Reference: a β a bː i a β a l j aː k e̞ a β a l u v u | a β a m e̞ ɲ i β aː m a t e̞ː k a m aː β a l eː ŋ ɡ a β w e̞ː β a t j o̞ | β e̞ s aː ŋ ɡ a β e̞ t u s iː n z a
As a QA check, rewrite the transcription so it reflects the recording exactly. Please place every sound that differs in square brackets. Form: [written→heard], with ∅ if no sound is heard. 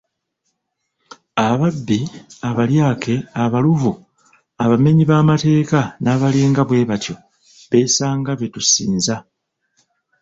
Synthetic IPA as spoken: a β a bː i a β a l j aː k e̞ a β a l u v u | a β a m e̞ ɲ i β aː m a t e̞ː k a [m→n] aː β a l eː ŋ ɡ a β w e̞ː β a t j o̞ | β e̞ s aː ŋ ɡ a β e̞ t u s iː n z a